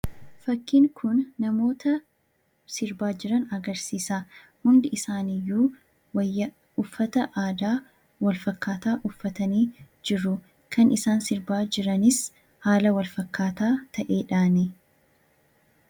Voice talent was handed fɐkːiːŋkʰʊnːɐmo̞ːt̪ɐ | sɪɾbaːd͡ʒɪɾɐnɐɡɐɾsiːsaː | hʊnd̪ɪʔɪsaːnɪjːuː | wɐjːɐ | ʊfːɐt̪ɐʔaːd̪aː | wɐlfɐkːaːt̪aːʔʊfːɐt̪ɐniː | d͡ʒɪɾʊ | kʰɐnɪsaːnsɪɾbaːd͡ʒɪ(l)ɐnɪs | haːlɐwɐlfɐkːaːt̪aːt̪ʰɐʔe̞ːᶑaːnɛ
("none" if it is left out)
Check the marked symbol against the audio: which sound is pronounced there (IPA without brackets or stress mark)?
ɾ